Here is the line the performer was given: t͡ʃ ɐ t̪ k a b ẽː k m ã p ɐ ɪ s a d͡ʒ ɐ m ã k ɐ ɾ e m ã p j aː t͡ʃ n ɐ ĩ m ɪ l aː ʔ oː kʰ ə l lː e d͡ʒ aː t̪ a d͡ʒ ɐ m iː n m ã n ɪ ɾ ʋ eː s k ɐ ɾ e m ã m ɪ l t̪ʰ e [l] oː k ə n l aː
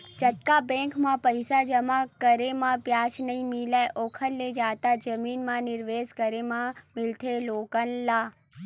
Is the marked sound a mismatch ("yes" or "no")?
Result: no